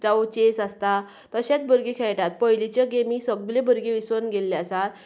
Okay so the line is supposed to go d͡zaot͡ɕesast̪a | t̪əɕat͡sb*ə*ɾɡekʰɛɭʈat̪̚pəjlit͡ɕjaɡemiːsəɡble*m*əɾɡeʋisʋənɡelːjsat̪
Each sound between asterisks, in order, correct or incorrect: correct, incorrect

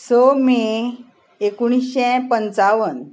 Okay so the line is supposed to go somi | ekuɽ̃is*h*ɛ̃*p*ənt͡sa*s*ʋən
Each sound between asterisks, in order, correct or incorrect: incorrect, correct, incorrect

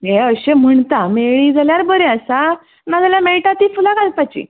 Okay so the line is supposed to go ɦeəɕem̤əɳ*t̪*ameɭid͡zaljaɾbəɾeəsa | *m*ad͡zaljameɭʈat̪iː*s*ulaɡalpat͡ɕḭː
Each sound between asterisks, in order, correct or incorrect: correct, incorrect, incorrect

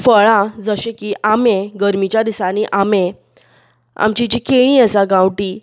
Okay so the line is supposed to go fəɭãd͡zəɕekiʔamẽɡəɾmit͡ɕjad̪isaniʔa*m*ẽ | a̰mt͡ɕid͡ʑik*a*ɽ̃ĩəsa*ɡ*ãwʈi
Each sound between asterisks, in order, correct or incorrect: correct, incorrect, correct

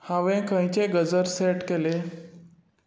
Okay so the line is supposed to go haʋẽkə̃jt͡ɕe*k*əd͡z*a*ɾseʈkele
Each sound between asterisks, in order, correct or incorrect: incorrect, incorrect

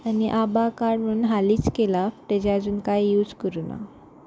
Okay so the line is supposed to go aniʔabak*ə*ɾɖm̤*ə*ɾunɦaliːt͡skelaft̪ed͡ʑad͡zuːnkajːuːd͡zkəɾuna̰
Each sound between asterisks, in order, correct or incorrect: incorrect, correct

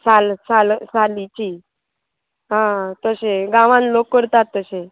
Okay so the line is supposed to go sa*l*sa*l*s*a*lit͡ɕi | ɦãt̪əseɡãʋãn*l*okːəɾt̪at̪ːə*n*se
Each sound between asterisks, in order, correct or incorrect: correct, correct, correct, correct, incorrect

